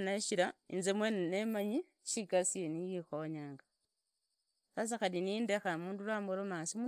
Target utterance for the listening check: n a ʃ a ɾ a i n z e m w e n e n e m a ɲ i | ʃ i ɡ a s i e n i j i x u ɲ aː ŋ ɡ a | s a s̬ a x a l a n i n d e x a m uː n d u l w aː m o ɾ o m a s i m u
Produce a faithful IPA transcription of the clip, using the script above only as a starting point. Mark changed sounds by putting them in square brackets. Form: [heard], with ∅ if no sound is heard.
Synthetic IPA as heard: n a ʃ [i] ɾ a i n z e m w e n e n e m a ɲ i | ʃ i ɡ a s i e n i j i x [o] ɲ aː ŋ ɡ a | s a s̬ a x a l [i] n i n d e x a m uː n d u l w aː m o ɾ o m a s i m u